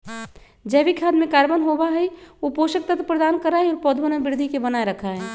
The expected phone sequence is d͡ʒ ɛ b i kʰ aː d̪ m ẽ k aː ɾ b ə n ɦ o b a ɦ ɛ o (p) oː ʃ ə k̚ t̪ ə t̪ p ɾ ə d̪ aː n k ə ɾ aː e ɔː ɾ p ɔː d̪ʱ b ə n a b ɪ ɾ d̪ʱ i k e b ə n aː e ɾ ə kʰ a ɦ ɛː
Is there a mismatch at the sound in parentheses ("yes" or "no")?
no